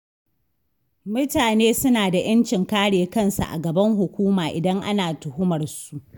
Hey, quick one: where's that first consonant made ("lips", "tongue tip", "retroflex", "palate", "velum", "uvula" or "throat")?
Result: lips